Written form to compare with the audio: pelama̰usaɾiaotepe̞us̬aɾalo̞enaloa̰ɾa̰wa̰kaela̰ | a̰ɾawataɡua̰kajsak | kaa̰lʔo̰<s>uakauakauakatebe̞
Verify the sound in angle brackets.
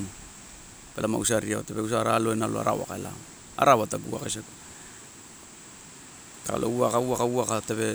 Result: incorrect: none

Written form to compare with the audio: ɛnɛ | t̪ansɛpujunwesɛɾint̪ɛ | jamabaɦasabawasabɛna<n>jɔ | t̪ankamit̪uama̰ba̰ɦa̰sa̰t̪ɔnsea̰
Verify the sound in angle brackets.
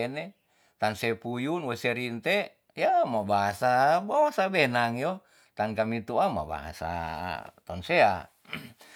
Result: incorrect: ŋ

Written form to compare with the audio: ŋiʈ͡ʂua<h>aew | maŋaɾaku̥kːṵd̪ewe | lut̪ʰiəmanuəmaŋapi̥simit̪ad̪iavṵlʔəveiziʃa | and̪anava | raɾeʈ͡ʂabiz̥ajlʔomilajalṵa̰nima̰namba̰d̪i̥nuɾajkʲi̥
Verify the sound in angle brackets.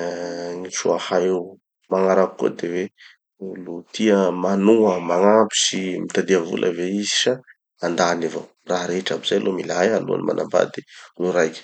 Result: correct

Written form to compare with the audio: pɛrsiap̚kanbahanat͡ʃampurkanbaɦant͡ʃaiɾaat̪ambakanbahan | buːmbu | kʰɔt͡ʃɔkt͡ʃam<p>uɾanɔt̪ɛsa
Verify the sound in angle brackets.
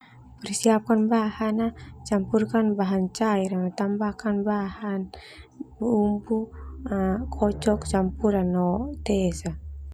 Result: correct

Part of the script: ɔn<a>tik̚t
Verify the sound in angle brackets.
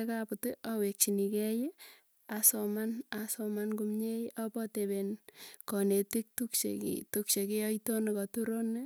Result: incorrect: e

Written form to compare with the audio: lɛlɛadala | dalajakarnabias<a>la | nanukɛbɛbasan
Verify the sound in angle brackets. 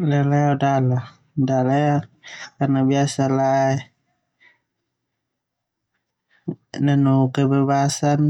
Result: correct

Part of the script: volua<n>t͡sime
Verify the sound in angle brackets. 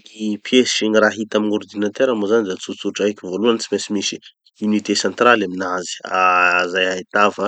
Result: correct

